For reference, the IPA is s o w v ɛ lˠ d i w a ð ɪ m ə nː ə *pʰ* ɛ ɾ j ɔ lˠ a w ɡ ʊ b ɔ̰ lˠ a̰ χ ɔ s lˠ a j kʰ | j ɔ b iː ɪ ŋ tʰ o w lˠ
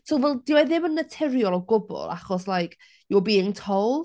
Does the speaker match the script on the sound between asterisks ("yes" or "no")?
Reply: no